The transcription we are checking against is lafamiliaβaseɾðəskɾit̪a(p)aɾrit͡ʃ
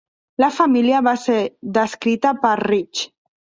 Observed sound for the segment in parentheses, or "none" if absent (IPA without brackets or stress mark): p